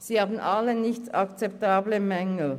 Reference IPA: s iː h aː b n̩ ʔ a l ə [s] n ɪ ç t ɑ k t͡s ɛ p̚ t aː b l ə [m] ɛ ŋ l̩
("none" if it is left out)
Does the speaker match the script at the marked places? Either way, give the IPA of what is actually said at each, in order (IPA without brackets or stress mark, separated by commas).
none, m